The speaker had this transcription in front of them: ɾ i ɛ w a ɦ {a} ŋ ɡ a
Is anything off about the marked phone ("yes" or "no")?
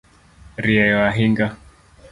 yes